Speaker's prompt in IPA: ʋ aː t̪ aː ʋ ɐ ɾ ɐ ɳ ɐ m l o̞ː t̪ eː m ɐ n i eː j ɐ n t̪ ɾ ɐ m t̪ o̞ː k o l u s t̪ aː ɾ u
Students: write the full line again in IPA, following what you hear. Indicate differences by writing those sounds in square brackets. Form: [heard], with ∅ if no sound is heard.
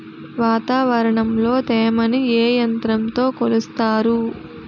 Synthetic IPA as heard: ʋ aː t̪ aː ʋ ɐ ɾ ɐ ɳ ɐ m l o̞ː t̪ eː m ɐ n i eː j ɐ n t̪ ɾ ɐ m t̪ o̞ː k o l u s t̪ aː ɾ u